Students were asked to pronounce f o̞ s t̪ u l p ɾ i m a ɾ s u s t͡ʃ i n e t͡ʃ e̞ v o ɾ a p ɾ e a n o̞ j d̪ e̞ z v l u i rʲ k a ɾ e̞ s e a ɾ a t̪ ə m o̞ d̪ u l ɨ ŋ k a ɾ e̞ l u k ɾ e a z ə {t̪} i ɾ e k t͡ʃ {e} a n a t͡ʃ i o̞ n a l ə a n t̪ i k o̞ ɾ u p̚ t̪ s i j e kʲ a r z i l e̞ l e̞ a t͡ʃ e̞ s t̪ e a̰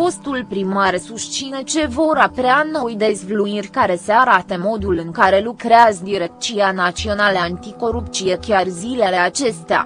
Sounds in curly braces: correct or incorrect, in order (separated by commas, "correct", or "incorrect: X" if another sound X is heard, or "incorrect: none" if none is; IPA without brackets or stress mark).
incorrect: d̪, incorrect: i